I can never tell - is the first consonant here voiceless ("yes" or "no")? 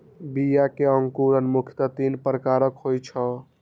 no